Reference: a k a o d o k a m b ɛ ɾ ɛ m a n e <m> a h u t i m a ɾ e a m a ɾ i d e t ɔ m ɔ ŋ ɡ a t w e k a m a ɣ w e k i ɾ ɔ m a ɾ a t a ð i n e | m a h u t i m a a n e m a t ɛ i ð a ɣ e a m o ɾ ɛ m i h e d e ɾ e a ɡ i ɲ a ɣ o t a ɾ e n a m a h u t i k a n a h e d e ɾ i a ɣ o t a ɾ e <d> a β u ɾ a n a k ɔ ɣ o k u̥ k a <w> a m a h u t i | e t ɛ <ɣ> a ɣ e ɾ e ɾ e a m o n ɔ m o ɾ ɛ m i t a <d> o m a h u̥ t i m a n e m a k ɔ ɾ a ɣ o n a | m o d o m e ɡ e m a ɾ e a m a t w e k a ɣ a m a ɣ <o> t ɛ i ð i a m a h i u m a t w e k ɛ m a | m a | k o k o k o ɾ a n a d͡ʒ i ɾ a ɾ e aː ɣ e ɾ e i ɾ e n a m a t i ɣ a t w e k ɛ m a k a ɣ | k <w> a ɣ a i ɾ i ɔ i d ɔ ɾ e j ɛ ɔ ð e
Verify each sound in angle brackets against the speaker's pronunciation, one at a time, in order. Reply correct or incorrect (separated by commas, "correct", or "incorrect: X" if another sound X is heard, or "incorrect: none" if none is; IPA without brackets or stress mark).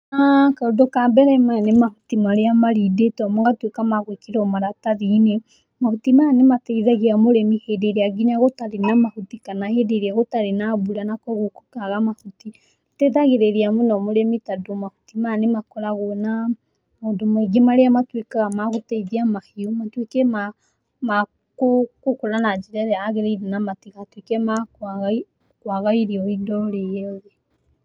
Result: correct, incorrect: n, incorrect: ɣ, incorrect: ð, correct, correct, correct